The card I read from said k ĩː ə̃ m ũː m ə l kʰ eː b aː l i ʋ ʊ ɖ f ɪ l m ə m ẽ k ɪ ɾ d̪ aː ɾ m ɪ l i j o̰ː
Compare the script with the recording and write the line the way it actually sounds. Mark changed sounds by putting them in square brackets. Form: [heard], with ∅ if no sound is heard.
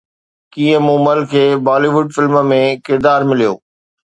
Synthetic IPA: k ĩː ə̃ m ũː m ə l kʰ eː b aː l i ʋ ʊ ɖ f ɪ l m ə m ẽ k ɪ ɾ d̪ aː ɾ m ɪ l i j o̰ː